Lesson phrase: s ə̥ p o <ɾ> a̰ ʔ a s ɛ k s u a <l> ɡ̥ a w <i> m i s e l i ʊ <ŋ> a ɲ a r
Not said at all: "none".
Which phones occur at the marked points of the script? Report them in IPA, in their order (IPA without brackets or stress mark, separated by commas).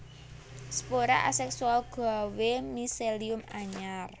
ɾ, l, e, m